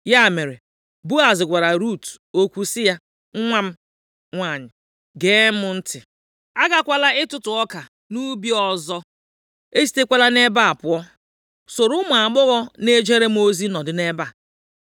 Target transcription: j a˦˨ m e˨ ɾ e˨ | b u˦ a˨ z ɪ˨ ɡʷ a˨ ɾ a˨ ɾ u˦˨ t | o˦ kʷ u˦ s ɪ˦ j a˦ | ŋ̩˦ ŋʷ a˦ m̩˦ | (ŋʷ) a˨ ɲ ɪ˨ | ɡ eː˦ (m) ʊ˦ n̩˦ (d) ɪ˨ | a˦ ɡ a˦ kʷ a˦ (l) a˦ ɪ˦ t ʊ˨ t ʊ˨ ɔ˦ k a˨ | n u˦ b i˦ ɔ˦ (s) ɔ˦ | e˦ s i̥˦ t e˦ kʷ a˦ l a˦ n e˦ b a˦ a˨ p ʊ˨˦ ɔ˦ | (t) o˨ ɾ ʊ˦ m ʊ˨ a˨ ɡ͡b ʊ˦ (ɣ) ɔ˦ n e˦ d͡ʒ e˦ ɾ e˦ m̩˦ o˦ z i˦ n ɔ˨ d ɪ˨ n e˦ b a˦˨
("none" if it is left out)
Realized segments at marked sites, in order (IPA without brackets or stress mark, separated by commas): ŋʷ, m, t, l, z, s, ɣ